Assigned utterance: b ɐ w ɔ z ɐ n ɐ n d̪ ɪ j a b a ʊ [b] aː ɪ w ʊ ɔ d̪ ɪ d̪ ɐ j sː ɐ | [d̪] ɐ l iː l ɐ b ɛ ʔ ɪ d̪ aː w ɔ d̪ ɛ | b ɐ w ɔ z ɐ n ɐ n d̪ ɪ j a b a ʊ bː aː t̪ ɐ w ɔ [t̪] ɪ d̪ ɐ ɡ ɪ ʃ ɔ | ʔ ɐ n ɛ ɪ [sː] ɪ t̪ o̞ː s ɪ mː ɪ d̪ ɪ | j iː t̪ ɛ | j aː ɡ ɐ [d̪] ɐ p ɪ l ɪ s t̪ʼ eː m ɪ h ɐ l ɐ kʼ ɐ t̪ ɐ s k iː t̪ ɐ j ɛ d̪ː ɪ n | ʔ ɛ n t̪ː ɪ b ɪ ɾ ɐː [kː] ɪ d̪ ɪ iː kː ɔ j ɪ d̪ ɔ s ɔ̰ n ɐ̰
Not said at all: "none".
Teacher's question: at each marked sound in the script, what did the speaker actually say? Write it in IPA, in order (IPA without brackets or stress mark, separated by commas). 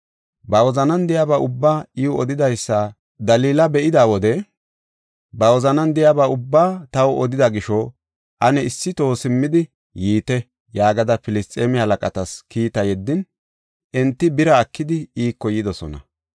bː, d̪, d̪, sː, d̪, kː